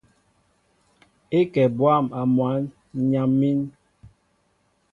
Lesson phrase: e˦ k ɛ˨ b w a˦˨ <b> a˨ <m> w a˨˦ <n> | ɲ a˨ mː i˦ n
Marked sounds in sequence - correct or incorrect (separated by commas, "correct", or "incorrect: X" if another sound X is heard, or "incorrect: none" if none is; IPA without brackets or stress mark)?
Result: incorrect: m, correct, correct